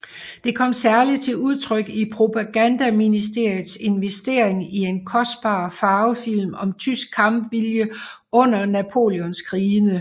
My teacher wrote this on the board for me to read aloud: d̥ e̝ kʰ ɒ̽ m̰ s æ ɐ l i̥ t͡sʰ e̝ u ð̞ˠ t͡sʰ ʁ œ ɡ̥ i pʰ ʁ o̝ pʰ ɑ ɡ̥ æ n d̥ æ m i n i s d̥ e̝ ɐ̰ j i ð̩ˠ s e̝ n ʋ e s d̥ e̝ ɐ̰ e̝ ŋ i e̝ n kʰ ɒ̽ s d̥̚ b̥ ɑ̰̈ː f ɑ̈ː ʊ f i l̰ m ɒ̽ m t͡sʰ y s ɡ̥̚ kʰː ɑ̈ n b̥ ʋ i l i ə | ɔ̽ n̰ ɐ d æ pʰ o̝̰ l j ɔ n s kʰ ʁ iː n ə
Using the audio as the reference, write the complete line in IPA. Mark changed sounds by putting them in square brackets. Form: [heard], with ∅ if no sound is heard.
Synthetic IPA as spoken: d̥ e̝ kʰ ɒ̽ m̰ s æ ɐ l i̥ t͡sʰ e̝ u ð̞ˠ t͡sʰ ʁ œ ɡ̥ i pʰ ʁ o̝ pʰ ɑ ɡ̥ æ n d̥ æ m i n i s d̥ e̝ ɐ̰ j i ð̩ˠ s e̝ n ʋ e s d̥ e̝ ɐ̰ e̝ ŋ i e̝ n kʰ ɒ̽ s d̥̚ b̥ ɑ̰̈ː f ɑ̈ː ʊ f i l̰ m ɒ̽ m t͡sʰ y s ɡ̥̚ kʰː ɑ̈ [m] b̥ ʋ i l [j] ə | ɔ̽ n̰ ɐ [n] æ pʰ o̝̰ l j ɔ n s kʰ ʁ iː n ə